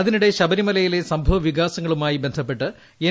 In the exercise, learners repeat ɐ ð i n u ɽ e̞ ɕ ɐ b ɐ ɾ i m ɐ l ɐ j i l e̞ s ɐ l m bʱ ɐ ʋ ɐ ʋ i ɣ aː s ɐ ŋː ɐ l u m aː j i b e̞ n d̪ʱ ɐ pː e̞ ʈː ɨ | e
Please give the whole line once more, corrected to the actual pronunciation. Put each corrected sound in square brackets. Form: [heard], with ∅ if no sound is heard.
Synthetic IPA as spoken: ɐ ð i n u ɽ e̞ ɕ ɐ b ɐ ɾ i m ɐ l ɐ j i l e̞ s ɐ [∅] m bʱ ɐ ʋ ɐ ʋ i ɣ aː s ɐ ŋː ɐ [ɭ] u m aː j i b e̞ n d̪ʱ ɐ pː e̞ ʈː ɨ | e